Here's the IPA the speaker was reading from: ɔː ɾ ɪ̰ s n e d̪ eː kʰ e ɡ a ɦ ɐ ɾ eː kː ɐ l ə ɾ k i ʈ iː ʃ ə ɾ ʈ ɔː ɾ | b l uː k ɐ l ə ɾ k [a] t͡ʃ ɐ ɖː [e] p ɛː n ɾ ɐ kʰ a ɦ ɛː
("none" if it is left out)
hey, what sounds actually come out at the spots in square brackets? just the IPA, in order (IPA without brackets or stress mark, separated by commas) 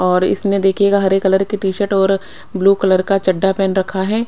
a, a